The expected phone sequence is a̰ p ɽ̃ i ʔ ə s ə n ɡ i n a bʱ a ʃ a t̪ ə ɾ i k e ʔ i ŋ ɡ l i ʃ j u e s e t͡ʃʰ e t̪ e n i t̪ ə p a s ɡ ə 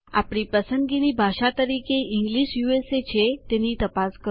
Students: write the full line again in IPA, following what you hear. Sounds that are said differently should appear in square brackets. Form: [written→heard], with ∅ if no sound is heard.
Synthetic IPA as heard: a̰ p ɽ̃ i [ʔ→p] ə s ə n ɡ i n [a→i] bʱ a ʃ a t̪ ə ɾ i k e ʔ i ŋ ɡ l i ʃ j u e s e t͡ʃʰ e t̪ e n i t̪ ə p a s [ɡ→k] ə